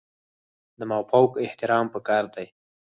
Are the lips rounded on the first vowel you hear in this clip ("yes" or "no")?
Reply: no